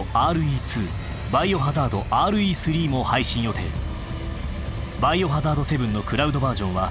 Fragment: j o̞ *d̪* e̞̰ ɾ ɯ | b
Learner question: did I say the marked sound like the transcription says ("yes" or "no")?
no